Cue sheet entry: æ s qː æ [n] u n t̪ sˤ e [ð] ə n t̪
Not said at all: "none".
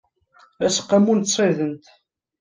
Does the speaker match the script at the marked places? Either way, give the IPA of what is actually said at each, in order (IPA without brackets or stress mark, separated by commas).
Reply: m, ð